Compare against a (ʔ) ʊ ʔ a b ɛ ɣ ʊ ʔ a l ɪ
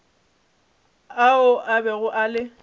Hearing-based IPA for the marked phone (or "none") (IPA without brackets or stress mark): none